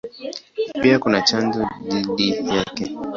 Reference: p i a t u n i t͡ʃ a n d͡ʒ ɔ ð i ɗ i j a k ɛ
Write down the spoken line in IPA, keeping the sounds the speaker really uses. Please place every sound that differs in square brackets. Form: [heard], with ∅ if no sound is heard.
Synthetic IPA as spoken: p i a [k] u n [a] t͡ʃ a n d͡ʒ ɔ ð i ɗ i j a k ɛ